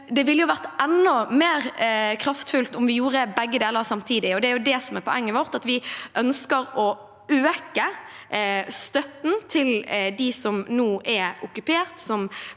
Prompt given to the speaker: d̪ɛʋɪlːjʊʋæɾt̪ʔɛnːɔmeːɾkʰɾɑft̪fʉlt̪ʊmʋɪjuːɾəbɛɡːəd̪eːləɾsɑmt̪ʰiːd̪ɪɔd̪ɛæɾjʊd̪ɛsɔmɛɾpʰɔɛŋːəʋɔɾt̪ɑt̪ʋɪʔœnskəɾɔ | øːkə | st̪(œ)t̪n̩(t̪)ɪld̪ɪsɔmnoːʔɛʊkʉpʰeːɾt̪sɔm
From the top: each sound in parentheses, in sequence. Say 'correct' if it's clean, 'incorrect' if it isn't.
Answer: correct, incorrect: t̪ʰ

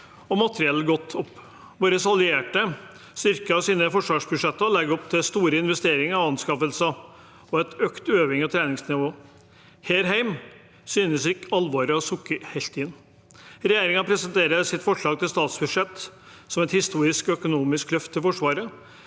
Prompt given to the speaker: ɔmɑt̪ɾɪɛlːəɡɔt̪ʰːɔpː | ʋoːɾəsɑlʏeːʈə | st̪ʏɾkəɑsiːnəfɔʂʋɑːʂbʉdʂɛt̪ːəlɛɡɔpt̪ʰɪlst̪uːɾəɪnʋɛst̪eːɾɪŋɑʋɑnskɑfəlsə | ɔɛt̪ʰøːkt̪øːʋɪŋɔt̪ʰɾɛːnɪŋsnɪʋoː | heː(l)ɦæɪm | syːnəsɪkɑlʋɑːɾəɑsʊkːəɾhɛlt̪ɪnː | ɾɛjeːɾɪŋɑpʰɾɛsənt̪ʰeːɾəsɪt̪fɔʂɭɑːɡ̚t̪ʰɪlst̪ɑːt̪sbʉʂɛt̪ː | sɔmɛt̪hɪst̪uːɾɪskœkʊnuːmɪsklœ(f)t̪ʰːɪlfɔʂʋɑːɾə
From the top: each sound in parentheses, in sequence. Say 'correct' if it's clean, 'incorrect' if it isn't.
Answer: incorrect: ɾ, correct

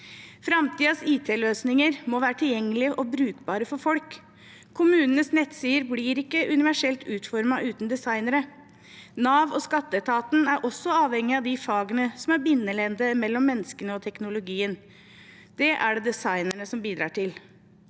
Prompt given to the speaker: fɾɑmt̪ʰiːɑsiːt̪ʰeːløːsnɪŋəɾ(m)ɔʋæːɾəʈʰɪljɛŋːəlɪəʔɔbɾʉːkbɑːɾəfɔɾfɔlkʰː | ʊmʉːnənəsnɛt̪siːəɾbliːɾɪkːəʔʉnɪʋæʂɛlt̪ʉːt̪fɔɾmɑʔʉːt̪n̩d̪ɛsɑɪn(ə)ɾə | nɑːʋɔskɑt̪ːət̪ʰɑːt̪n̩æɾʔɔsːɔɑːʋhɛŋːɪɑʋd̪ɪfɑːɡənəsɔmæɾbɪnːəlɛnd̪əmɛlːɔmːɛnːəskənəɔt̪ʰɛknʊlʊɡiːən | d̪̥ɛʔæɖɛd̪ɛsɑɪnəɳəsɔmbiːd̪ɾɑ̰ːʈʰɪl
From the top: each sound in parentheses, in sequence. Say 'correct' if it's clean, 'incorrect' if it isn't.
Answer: correct, correct

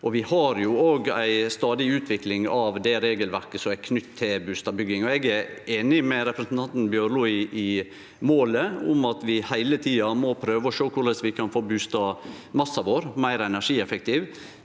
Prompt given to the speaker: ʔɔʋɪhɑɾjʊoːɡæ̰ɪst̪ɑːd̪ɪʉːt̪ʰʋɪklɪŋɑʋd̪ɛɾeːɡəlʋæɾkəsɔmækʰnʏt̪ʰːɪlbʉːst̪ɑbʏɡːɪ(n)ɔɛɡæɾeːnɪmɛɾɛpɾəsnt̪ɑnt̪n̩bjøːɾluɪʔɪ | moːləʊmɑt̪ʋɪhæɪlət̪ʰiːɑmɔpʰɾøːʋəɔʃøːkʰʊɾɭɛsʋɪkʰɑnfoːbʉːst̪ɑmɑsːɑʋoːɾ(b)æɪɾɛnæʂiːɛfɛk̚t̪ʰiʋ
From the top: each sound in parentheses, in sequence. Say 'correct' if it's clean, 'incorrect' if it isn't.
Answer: incorrect: ŋ, incorrect: m

